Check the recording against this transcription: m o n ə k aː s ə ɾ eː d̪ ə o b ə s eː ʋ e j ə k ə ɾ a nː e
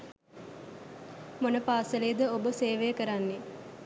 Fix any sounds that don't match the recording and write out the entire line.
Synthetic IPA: m o n ə p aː s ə l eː d̪ ə o b ə s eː ʋ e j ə k ə ɾ a nː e